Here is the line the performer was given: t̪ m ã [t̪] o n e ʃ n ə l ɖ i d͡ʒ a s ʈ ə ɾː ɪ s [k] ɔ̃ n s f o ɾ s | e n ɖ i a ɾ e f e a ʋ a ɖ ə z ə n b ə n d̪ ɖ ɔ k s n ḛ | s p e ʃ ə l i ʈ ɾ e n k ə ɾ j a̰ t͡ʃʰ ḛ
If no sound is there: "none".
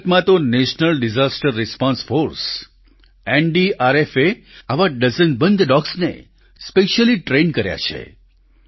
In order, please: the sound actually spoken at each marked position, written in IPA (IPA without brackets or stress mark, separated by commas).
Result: t̪, p